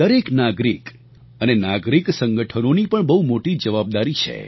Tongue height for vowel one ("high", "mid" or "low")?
mid